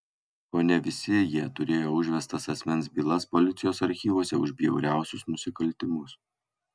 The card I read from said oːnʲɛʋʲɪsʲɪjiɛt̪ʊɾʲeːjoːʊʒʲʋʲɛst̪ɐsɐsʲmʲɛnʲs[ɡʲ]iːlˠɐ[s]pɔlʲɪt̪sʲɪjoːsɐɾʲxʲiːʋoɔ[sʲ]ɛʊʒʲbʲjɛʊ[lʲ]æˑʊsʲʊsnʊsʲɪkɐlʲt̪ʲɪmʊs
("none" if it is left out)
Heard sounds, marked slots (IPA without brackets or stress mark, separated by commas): bʲ, s, sʲ, ɾʲ